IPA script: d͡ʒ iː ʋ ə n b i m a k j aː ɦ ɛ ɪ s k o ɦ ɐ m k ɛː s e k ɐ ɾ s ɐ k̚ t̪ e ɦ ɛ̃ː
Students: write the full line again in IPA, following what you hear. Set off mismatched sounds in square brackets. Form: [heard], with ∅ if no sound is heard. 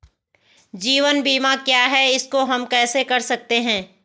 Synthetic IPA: d͡ʒ iː ʋ ə n b [iː] m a k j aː ɦ ɛ ɪ s k o ɦ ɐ m k ɛː s e k ɐ ɾ s ɐ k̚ t̪ e ɦ ɛ̃ː